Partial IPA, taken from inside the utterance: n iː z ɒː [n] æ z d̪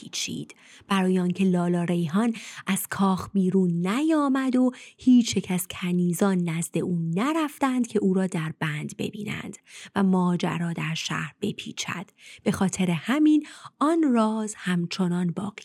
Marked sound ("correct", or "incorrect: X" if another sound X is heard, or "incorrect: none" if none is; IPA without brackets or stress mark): incorrect: nː